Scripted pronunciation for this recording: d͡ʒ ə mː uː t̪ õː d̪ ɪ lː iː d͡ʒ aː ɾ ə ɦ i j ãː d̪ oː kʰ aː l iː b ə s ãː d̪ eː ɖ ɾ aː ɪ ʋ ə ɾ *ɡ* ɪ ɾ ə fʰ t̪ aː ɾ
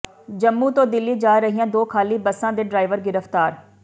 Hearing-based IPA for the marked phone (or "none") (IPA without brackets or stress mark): ɡ